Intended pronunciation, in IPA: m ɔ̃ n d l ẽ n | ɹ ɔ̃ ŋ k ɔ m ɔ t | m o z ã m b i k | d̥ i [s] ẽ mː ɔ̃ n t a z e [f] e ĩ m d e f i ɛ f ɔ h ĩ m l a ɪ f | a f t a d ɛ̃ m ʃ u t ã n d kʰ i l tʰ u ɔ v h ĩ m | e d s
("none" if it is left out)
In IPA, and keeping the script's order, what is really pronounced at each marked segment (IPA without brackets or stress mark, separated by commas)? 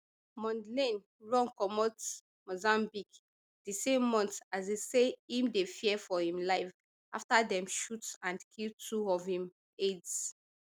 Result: s, s